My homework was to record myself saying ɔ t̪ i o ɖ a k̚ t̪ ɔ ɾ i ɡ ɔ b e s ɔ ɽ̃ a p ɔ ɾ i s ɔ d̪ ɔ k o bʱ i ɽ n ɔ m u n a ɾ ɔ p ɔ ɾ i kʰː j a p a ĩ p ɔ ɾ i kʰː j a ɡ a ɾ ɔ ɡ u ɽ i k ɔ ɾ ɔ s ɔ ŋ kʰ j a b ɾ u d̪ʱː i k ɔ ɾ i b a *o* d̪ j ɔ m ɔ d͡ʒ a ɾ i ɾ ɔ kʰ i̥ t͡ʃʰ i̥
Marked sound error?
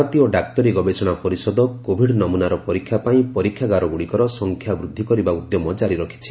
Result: yes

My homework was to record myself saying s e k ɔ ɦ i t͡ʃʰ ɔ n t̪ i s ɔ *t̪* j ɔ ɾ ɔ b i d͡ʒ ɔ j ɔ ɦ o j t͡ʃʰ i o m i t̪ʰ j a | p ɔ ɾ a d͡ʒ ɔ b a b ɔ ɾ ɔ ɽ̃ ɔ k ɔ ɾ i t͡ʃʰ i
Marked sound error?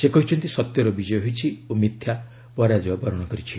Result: no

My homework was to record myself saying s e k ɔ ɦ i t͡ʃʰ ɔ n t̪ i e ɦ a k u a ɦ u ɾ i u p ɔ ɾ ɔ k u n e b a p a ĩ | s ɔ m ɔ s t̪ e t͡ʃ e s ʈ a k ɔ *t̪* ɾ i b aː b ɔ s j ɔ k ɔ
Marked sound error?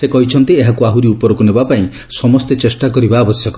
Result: yes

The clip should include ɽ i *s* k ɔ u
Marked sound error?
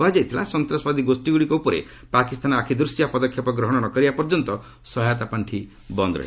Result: yes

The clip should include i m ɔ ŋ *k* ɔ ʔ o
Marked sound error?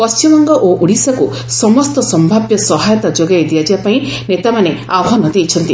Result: yes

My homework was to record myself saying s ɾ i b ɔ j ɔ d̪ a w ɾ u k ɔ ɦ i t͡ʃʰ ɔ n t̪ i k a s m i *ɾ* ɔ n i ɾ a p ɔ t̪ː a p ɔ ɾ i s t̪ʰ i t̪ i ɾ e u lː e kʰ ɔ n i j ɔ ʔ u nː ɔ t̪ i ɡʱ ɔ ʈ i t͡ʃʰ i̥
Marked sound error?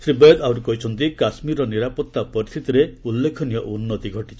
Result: no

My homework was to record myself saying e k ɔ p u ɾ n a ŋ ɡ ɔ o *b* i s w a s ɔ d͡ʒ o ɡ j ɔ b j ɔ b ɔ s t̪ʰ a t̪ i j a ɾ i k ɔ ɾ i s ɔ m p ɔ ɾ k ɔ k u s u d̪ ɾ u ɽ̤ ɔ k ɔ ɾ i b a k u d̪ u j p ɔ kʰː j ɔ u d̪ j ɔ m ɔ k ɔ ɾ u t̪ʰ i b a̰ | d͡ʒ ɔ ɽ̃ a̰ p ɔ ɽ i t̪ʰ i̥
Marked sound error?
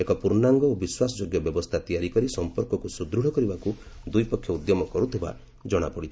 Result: no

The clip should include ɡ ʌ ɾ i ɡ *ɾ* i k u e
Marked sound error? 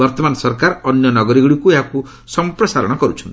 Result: yes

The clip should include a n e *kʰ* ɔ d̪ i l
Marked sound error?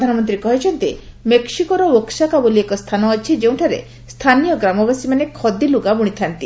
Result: no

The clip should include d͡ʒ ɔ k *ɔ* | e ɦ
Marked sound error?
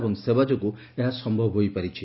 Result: yes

